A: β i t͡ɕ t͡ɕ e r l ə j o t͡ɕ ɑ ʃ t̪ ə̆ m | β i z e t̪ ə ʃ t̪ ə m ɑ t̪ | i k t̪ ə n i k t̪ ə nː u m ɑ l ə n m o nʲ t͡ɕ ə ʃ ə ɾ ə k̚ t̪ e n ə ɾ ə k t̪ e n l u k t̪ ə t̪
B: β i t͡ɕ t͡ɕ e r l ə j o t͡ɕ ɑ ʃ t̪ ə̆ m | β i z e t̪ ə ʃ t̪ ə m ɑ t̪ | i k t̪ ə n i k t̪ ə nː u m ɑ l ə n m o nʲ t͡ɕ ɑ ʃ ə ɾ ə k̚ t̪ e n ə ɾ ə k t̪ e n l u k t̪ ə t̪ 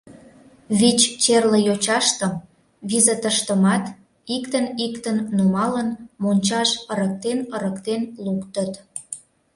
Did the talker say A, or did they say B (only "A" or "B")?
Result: B